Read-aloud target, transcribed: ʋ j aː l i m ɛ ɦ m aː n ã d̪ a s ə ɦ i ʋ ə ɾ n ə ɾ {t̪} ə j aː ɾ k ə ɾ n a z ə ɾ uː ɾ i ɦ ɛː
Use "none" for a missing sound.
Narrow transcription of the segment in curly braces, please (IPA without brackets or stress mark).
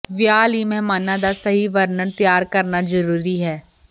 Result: t̪